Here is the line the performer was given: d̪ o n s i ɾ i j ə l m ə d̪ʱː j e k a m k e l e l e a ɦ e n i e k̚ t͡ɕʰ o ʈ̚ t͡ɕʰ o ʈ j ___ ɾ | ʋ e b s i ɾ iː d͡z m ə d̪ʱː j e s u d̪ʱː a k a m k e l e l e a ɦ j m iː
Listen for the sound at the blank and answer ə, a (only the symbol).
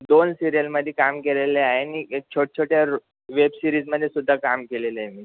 a